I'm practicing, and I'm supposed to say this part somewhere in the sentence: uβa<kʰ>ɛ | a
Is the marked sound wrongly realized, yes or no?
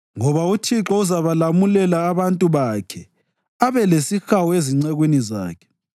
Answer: no